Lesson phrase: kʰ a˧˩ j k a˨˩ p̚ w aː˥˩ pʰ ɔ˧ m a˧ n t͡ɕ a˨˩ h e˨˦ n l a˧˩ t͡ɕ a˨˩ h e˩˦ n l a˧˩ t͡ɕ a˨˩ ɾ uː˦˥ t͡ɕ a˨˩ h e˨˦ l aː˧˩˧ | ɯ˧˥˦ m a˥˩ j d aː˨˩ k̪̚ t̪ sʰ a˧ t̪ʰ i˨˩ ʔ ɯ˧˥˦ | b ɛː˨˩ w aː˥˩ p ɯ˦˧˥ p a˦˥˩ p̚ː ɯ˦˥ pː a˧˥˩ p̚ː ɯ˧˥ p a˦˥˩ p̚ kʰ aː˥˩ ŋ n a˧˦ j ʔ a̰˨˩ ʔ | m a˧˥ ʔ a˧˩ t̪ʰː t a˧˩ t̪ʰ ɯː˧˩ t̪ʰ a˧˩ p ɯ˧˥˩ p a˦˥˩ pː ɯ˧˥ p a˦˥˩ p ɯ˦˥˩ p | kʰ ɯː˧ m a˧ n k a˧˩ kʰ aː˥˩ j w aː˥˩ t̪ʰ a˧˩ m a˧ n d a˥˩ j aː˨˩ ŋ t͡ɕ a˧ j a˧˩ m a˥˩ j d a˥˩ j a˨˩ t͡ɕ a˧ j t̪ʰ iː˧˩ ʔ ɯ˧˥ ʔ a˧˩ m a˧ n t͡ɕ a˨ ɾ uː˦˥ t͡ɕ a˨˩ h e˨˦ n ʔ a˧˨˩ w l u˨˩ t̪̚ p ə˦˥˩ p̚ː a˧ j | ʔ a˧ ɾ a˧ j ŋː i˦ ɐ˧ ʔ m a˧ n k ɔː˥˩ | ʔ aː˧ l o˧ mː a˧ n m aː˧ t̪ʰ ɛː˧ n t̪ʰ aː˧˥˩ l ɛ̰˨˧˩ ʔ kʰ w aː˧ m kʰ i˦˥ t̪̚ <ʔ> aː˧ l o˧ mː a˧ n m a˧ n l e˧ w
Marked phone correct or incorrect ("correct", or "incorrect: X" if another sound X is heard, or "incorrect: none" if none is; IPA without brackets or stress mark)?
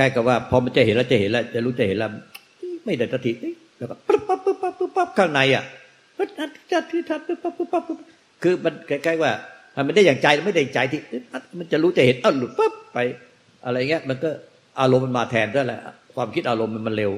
correct